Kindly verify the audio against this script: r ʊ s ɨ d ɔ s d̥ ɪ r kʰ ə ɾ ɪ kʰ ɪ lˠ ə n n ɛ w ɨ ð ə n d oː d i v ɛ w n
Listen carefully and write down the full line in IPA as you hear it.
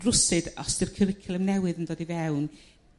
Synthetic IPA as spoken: r ʊ s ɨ d ɔ s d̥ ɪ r kʰ ə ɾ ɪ kʰ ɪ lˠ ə m n ɛ w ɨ ð ə n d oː d i v ɛ w n